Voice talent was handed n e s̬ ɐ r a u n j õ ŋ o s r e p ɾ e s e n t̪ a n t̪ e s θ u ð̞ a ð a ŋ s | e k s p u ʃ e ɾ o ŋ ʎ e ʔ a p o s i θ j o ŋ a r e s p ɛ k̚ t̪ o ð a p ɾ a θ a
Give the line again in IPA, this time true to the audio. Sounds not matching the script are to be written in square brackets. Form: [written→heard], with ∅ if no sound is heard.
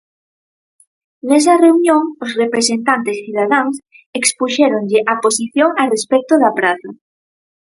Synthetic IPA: n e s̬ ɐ r [a→e] u n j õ ŋ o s r e p ɾ e s e n t̪ a n t̪ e s θ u ð̞ a ð a ŋ s | e k s p u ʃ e ɾ o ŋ ʎ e ʔ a p o s i θ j o ŋ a r e s p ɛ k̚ t̪ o ð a p ɾ a θ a